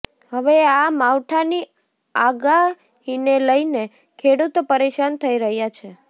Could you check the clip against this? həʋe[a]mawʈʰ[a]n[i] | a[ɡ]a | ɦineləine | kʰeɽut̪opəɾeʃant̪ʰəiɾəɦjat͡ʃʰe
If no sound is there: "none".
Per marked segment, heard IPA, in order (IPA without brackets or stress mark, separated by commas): a, a, i, ɡ